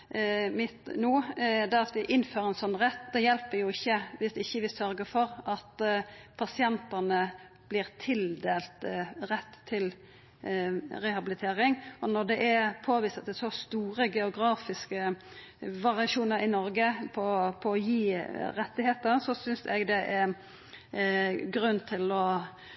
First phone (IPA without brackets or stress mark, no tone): m